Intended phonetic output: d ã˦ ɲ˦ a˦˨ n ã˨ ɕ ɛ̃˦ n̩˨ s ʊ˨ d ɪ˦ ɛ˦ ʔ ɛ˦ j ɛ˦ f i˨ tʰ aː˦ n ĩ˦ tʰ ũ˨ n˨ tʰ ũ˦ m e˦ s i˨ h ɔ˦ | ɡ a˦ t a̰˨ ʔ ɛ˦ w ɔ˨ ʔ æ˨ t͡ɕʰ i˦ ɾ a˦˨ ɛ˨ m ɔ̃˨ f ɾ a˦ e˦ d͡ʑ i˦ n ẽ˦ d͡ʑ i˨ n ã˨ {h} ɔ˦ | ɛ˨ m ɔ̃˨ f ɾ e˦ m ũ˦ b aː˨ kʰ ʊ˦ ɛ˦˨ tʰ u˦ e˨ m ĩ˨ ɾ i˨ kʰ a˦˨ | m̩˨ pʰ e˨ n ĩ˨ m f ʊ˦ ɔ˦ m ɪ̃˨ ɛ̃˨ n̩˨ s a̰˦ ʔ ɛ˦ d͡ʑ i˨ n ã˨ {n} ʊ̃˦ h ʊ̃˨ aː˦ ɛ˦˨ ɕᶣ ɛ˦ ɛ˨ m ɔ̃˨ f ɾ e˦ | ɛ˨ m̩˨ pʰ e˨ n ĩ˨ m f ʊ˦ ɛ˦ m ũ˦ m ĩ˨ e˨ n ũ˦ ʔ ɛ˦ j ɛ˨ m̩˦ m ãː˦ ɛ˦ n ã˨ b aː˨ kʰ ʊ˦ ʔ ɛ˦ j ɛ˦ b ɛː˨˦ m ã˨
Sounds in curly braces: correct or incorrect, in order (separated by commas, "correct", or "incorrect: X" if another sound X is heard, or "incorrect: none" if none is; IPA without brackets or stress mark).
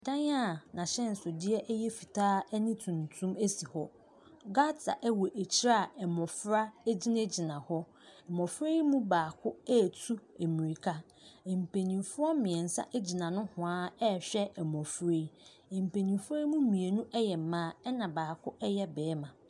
correct, correct